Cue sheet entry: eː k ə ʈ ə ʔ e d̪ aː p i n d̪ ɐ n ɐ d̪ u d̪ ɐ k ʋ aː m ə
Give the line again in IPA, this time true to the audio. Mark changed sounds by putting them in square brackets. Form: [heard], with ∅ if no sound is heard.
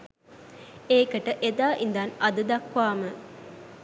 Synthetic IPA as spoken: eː k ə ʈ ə ʔ e d̪ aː [ʔ] i n d̪ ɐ n ɐ d̪ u d̪ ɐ k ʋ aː m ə